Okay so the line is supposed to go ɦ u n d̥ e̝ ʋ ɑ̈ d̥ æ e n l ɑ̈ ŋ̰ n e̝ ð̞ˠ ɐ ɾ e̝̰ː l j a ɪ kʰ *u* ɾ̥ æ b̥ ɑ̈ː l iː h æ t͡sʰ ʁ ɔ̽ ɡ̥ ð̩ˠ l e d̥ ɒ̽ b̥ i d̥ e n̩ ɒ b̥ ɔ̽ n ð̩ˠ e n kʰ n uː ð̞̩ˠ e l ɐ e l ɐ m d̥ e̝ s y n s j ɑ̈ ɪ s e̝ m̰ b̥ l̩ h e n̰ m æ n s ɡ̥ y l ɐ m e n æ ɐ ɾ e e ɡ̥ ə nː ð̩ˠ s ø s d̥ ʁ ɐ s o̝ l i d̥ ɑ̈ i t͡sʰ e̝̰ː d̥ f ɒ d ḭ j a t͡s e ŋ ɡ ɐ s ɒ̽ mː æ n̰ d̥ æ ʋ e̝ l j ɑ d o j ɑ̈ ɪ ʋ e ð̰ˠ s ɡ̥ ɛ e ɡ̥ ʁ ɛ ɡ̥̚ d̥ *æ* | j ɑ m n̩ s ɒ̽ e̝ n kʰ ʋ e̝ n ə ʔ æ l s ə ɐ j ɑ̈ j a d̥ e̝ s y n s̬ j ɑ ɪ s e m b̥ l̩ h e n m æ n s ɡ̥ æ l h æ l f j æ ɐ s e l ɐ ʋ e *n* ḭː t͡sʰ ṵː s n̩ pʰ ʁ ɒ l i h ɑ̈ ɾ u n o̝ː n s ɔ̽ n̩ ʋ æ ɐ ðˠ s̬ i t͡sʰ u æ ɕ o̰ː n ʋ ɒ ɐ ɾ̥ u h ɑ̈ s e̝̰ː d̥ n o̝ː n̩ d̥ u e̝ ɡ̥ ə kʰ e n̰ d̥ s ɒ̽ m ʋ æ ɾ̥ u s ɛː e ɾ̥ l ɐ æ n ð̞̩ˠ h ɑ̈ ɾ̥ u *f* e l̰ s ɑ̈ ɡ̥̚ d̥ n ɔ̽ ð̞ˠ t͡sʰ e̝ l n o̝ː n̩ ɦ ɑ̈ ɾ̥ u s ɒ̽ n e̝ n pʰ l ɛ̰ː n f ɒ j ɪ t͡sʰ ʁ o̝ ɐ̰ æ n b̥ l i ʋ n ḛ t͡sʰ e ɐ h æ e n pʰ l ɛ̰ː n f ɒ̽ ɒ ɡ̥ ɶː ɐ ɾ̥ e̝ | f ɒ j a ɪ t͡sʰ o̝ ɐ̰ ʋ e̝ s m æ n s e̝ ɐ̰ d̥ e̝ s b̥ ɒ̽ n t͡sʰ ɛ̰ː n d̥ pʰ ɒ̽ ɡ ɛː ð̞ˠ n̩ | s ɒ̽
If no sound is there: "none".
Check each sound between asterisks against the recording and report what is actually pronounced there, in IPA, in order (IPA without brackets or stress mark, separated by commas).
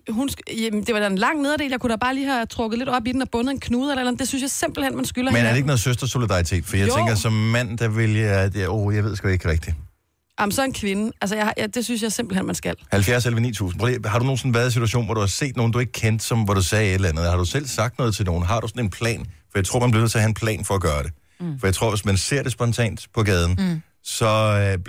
u, i, n, s